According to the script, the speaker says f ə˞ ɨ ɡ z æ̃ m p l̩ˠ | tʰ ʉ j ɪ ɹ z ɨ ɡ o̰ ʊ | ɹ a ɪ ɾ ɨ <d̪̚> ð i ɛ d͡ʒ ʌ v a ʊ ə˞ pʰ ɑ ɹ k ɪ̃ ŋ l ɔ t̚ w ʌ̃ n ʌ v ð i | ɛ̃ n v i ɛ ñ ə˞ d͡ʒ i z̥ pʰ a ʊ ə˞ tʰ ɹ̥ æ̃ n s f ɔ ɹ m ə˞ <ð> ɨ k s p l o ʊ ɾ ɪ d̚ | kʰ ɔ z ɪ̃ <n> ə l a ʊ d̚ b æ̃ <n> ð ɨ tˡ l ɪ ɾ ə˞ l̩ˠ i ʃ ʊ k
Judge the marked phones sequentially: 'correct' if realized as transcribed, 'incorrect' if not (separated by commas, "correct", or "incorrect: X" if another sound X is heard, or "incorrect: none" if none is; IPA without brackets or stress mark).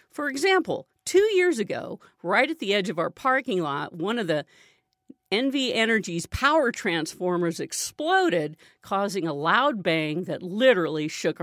incorrect: t̪̚, incorrect: z, incorrect: ŋ, incorrect: ŋ